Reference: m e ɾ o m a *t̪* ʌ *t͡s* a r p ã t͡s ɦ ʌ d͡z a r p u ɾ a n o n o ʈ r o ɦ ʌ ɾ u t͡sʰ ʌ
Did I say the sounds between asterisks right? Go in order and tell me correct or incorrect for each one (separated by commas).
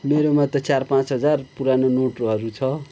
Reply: correct, correct